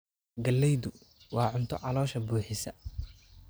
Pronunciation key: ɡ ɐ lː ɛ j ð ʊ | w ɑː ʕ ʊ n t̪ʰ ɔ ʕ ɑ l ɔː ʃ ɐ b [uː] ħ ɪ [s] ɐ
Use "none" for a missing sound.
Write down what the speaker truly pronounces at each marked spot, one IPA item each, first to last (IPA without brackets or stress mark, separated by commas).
uː, s